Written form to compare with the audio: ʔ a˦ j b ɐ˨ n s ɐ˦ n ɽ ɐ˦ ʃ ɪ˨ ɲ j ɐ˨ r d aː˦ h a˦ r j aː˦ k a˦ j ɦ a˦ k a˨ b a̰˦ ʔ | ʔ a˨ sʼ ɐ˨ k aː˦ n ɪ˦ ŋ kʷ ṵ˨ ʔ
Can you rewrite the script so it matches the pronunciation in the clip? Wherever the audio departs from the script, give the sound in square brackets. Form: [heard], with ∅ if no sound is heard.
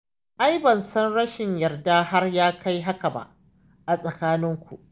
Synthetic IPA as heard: ʔ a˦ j b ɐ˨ n s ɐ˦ n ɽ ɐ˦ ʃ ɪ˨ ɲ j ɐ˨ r d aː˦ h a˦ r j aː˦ k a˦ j ɦ a˦ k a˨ b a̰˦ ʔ | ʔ a˨ sʼ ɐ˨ k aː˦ n ɪ˦ ŋ kʷ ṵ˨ ʔ